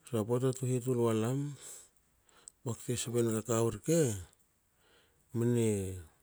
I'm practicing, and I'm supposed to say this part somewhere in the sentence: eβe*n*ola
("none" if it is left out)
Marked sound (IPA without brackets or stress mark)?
n